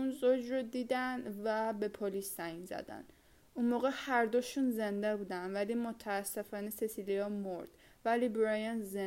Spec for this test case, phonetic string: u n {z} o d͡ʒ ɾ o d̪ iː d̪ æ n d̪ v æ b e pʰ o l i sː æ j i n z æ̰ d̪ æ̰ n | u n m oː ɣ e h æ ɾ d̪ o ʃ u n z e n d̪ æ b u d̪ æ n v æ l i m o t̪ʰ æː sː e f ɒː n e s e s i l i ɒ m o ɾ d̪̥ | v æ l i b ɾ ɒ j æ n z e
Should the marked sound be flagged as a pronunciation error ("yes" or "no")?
no